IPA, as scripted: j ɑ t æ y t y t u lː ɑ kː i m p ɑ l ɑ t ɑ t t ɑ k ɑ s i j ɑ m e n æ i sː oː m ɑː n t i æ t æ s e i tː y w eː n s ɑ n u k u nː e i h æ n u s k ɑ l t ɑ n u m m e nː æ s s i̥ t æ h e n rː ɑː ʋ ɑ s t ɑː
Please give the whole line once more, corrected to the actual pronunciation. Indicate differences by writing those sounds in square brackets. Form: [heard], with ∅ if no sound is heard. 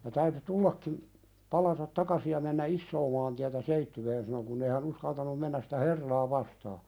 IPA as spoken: j ɑ t æ y t y t u lː ɑ kː i m p ɑ l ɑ t ɑ t t ɑ k ɑ s i j ɑ m e [nː] æ i sː oː m ɑː n t i æ t æ s e i tː y w eː n s ɑ n [o] k u nː e i h æ n u s k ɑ l t ɑ n u m m e nː æ s s i̥ t æ h e [∅] rː ɑː ʋ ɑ s t ɑː